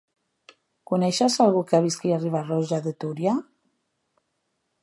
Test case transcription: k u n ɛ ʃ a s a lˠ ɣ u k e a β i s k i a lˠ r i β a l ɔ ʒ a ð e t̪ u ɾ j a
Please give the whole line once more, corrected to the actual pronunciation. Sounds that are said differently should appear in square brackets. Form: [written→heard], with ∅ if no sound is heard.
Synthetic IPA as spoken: k u n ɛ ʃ a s a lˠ ɣ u k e a β i s k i a [lˠ→∅] r i β a [l→r] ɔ ʒ a ð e t̪ u ɾ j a

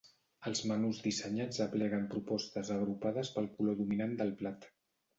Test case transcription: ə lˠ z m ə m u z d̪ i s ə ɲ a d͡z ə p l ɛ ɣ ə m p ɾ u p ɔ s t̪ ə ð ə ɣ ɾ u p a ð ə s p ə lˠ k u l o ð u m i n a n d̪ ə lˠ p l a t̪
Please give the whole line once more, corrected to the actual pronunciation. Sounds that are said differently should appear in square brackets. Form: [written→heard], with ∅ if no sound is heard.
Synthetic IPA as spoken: ə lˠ z m ə [m→n] u z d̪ i s ə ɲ a d͡z ə p l ɛ ɣ ə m p ɾ u p ɔ s t̪ ə [ð→z] ə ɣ ɾ u p a ð ə s p ə lˠ k u l o ð u m i n a n d̪ ə lˠ p l a t̪

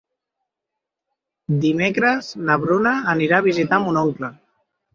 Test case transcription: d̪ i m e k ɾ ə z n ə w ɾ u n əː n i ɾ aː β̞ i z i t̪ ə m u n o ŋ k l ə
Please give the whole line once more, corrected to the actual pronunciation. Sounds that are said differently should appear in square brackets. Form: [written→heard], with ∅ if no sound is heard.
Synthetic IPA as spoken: d̪ i m e k ɾ ə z n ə [w→β] ɾ u n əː n i ɾ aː β̞ i z i t̪ [ə→a] m u n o ŋ k l ə

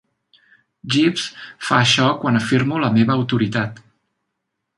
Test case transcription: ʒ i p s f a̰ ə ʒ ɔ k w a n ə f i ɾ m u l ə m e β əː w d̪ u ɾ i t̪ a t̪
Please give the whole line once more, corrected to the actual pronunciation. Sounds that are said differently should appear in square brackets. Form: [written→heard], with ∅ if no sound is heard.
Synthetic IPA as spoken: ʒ i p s f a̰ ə [ʒ→ʃ] ɔ k w a n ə f i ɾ m u l ə m e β əː w [d̪→t̪] u ɾ i t̪ a t̪

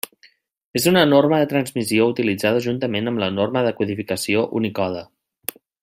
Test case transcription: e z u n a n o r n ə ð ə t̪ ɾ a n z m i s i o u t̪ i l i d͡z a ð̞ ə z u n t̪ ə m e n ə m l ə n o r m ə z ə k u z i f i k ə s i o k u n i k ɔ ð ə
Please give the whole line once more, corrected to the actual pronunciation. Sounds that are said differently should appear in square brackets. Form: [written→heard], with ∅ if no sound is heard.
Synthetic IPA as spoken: e z u n [a→ə] n o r [n→m] ə ð ə t̪ ɾ [a→ə] n z m i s i o u t̪ i l i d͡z a ð̞ ə [z→ʒ] u n t̪ ə m e n ə m l ə n o r m ə [z→ð] ə k u [z→ð] i f i k ə s i o [k→ʔ] u n i k ɔ ð ə

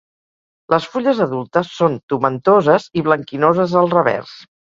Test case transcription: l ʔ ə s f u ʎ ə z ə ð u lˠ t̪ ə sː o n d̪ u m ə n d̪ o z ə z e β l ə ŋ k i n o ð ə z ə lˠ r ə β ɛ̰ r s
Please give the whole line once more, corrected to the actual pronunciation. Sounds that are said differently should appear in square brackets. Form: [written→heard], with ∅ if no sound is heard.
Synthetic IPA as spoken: l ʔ ə s f u ʎ ə z ə ð u lˠ t̪ ə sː o n [d̪→t̪] u m ə n [d̪→t̪] o z ə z [e→i] β l ə ŋ k i n o [ð→z] ə z ə lˠ r ə β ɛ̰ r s

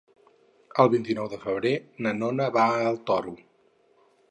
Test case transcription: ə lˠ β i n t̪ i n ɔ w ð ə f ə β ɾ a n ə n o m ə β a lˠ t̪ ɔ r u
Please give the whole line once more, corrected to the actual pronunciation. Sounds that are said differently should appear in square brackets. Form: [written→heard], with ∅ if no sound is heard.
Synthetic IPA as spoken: ə lˠ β i n t̪ i n ɔ w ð ə f ə β ɾ [a→e] n ə n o [m→n] ə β a lˠ t̪ ɔ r u

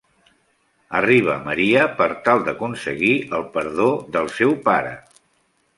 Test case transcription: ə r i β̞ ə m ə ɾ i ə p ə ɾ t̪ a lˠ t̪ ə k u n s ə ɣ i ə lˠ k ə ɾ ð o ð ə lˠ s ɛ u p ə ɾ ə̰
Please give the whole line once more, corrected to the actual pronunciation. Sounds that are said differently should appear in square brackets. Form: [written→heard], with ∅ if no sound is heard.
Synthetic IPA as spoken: ə r i β̞ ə m ə ɾ i ə p ə ɾ t̪ a lˠ [t̪→d̪] ə k u n s ə ɣ i ə lˠ [k→p] ə ɾ ð o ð ə lˠ s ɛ [u→w] p [ə→a] ɾ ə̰

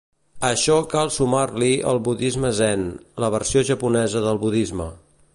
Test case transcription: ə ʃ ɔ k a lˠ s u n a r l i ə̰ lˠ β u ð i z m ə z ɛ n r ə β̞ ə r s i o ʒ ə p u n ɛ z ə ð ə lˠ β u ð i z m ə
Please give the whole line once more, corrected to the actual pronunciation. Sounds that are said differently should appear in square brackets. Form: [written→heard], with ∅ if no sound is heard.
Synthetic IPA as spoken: ə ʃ ɔ k a lˠ s u [n→m] a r l i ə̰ lˠ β u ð i z m ə z ɛ n [r→l] ə β̞ ə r s i o ʒ ə p u n ɛ z ə ð ə lˠ β u ð i z m ə

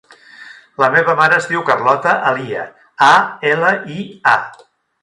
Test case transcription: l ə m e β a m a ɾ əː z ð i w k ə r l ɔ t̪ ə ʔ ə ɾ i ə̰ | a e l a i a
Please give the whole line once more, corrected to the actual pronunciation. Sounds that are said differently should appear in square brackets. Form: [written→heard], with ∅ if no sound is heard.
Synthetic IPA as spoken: l ə m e β [a→ə] m a ɾ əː z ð i w k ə r l ɔ t̪ ə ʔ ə [ɾ→l] i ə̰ | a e l [a→ə] i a

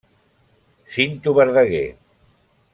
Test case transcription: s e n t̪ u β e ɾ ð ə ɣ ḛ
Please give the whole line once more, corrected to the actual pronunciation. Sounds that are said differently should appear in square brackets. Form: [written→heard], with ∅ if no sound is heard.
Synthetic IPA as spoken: s [e→i] n t̪ u β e ɾ ð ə ɣ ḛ

